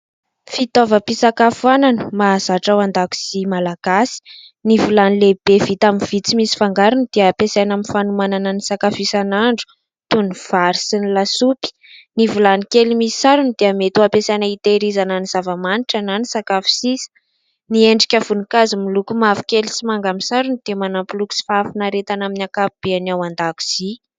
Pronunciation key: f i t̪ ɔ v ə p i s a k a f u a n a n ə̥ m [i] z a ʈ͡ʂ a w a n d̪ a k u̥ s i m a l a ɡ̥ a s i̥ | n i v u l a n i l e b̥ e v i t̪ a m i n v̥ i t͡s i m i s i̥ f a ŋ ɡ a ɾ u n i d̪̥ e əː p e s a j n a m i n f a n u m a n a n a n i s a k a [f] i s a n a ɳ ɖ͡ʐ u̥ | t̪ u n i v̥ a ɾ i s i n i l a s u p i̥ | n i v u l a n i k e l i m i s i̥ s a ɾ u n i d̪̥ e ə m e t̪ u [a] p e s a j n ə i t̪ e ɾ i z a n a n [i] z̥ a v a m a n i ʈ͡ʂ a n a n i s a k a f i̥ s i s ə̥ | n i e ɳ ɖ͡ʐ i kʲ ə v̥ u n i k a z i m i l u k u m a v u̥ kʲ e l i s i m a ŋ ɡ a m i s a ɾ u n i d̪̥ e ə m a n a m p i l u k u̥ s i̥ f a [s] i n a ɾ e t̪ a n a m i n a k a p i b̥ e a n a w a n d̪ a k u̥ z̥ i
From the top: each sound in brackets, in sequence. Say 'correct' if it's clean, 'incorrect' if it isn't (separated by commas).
incorrect, correct, correct, correct, incorrect